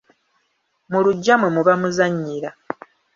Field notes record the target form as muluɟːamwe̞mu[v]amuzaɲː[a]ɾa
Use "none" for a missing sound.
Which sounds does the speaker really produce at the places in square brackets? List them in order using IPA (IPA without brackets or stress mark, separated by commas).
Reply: β, i